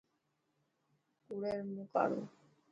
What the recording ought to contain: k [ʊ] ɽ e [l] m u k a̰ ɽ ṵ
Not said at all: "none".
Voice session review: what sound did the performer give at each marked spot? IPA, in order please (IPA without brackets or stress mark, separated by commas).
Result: u, ɾ